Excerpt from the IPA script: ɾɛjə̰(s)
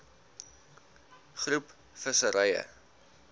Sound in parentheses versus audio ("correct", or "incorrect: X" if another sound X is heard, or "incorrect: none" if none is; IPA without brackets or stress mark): incorrect: none